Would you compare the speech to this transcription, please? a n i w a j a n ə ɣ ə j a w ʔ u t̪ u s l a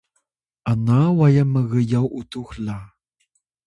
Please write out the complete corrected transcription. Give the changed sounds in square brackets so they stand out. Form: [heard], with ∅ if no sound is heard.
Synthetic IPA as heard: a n [a] w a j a [m] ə ɣ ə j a w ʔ u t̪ u [x] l a